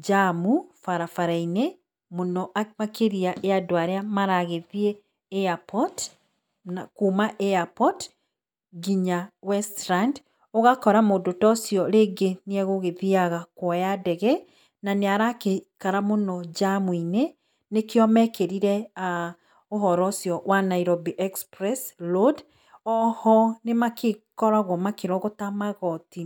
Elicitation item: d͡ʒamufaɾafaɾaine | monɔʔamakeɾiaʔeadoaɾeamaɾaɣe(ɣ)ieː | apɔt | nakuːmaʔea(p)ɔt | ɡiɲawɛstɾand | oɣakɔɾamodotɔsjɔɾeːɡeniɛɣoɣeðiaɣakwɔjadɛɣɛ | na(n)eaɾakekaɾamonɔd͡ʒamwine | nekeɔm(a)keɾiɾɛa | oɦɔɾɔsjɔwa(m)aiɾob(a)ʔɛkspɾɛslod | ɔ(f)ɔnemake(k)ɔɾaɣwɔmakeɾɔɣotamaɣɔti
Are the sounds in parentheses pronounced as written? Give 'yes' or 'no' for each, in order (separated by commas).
no, yes, yes, no, no, no, no, yes